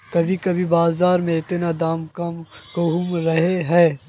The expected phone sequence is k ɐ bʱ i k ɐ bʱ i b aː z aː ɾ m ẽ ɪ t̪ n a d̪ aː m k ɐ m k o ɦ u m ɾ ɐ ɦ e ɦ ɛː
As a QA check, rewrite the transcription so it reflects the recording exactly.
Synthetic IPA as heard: k ɐ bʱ i k ɐ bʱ i b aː z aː ɾ m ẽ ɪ t̪ n a d̪ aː m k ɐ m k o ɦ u m ɾ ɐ ɦ e ɦ ɛː